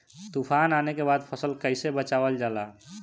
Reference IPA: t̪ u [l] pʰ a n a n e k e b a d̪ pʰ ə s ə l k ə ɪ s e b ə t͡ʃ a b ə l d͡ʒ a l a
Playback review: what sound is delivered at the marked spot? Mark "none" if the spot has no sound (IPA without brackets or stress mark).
none